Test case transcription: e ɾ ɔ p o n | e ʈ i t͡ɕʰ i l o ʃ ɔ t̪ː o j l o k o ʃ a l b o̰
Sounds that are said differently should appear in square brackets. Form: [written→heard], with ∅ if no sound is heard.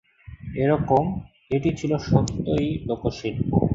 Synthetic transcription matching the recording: e ɾ ɔ [p→k] o [n→m] | e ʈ i t͡ɕʰ i l o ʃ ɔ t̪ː o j l o k o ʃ [a→i] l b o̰